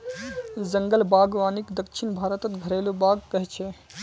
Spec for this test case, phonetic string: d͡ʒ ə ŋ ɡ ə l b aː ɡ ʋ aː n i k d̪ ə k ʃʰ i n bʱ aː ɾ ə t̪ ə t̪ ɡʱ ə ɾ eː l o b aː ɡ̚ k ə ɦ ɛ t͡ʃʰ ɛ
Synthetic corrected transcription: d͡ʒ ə ŋ ɡ ə l b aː ɡ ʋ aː n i k d̪ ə k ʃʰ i n bʱ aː ɾ ə t̪ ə t̪ ɡʱ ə ɾ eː l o b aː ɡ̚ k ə ɦ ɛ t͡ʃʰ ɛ